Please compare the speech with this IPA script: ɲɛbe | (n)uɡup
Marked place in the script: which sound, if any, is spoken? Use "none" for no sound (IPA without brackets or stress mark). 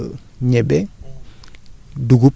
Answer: d